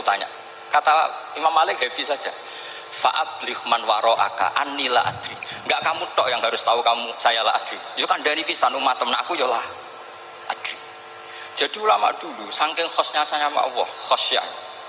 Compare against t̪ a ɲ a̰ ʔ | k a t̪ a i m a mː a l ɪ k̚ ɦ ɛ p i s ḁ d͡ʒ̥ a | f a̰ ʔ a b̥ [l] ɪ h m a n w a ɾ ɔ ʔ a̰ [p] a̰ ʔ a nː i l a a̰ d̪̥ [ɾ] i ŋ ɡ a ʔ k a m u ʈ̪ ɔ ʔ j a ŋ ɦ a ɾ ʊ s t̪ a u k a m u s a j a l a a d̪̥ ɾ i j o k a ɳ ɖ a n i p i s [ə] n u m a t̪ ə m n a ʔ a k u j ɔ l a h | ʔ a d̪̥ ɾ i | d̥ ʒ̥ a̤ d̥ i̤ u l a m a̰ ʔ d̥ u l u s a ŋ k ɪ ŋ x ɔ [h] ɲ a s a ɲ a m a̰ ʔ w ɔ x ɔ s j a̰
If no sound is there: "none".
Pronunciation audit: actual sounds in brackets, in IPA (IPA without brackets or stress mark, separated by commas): l, k, ɾ, a, s